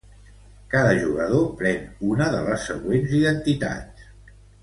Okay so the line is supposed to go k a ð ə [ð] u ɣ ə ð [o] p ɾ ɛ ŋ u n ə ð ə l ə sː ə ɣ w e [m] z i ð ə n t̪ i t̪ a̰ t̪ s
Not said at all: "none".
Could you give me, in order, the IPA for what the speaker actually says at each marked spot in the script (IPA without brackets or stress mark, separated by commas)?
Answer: ʒ, o, n